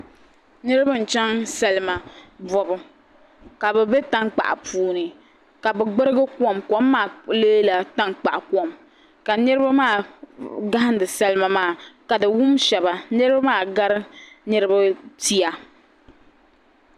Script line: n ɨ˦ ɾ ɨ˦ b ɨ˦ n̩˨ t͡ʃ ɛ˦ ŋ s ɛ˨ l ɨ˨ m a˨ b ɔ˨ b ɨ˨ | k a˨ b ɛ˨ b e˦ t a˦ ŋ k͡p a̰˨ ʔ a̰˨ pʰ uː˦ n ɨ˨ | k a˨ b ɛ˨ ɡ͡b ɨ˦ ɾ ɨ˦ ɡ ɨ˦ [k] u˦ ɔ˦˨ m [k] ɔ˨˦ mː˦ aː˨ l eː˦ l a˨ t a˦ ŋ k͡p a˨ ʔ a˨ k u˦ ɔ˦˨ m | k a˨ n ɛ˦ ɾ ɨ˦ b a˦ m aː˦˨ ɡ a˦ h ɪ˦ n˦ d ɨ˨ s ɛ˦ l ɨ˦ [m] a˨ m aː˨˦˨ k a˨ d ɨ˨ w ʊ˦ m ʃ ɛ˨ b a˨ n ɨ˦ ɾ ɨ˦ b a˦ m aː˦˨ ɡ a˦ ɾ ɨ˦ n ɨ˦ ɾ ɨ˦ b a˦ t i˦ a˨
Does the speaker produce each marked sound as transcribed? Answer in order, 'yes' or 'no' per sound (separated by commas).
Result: yes, yes, yes